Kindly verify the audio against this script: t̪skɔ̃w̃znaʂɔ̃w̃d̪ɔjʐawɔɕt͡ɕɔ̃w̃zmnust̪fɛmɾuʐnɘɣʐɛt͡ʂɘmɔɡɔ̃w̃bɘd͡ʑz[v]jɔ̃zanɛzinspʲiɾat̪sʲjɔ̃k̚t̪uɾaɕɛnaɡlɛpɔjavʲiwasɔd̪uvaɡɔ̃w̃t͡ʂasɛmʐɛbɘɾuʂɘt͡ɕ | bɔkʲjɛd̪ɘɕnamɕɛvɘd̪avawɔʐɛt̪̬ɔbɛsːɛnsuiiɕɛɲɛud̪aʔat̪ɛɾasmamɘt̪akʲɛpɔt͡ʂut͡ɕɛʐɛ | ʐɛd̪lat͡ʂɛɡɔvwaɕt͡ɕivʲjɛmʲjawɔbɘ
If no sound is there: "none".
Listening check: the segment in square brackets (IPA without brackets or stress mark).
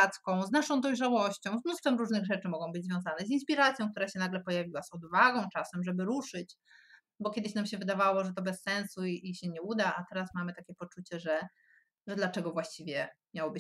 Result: v